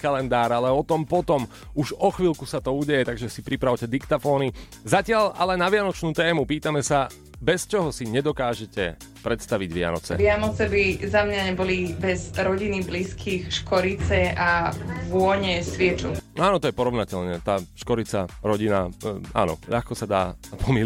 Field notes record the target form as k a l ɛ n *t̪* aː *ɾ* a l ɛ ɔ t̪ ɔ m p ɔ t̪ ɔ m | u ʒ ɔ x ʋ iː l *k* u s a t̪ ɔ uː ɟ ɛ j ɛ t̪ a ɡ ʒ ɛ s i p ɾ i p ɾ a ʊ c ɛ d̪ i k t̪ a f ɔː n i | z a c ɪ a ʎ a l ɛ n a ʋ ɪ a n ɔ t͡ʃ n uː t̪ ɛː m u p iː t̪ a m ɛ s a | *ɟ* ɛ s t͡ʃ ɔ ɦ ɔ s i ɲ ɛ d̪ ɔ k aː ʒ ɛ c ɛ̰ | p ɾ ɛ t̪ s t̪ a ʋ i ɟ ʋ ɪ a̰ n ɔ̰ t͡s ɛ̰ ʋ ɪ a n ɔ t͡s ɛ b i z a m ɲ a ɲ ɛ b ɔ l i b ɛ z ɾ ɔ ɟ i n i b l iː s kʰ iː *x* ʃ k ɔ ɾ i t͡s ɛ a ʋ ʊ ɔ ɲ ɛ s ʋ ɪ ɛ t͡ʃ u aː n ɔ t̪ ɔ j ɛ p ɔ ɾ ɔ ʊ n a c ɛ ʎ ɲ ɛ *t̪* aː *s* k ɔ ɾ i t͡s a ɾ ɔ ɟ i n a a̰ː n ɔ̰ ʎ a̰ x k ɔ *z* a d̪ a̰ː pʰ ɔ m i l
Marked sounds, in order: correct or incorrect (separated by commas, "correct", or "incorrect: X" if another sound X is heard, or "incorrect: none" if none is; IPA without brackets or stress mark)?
incorrect: d̪, correct, correct, incorrect: b, correct, correct, incorrect: ʃ, incorrect: s